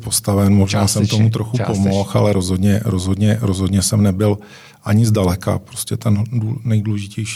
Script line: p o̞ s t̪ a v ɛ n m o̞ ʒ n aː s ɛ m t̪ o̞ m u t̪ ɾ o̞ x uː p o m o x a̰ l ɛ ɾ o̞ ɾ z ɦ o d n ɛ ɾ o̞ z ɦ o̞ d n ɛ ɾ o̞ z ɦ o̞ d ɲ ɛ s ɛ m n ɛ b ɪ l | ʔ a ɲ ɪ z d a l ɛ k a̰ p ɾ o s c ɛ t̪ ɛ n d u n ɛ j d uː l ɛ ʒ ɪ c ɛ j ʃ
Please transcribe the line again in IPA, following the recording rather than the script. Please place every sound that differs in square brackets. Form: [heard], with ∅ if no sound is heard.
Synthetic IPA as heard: p o̞ s t̪ a v ɛ n m o̞ ʒ n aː s ɛ m t̪ o̞ m u t̪ ɾ o̞ x [u] p o m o x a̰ l ɛ ɾ o̞ [∅] z ɦ o d [ɲ] ɛ ɾ o̞ z ɦ o̞ d [ɲ] ɛ ɾ o̞ z ɦ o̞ d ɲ ɛ s ɛ m n ɛ b ɪ l | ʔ a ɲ ɪ z d a l ɛ k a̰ p ɾ o s c ɛ t̪ ɛ n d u n ɛ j d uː l ɛ ʒ ɪ c ɛ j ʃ